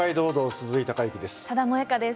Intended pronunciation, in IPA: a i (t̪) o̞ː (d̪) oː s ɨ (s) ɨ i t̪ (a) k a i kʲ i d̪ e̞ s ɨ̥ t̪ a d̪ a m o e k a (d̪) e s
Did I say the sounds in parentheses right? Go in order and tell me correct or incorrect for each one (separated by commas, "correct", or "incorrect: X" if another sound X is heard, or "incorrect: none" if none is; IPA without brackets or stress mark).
incorrect: d̪, correct, incorrect: z, correct, correct